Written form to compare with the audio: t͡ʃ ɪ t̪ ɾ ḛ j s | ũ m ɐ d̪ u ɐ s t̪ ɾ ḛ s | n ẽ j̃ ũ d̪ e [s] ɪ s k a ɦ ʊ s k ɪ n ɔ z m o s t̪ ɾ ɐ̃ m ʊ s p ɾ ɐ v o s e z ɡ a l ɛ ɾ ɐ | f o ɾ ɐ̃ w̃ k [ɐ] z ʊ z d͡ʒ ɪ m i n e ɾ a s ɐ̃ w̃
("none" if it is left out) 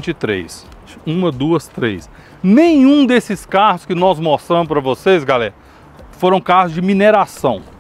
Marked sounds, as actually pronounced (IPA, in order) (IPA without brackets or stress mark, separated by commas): s, a